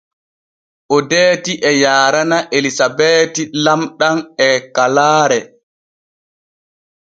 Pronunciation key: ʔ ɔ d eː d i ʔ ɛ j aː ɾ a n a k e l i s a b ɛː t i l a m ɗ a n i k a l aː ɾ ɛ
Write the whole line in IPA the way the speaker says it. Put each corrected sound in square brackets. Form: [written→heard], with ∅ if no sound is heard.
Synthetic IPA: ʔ ɔ d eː [d→t] i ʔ ɛ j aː ɾ a n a [k→ʔ] e l i s a b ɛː t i l a m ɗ a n [i→ɛ] k a l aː ɾ ɛ